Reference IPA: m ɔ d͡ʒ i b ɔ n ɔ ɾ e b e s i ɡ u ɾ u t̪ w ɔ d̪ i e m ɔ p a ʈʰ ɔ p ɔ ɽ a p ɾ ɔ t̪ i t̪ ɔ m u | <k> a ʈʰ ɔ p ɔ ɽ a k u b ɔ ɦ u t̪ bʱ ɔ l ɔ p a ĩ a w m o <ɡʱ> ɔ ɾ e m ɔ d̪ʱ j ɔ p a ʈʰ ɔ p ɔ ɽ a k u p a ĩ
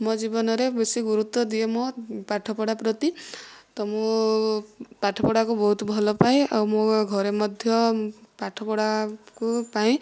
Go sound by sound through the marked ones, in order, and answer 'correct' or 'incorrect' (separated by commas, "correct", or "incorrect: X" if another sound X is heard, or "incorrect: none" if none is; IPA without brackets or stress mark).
incorrect: p, correct